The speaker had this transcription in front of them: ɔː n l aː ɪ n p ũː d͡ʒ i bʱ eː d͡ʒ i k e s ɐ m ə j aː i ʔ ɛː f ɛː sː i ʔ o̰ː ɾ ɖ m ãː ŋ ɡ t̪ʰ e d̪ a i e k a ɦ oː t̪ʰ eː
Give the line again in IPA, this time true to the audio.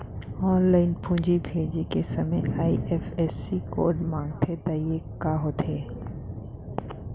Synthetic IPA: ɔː n l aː ɪ n p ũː d͡ʒ i bʱ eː d͡ʒ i k e s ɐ m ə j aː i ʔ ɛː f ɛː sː i k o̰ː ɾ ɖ m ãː ŋ ɡ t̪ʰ e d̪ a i e k a ɦ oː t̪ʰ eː